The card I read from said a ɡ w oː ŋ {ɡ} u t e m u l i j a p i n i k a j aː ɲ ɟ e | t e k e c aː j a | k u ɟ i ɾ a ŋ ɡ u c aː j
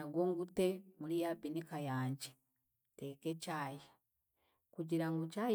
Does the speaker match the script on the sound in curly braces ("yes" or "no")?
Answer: yes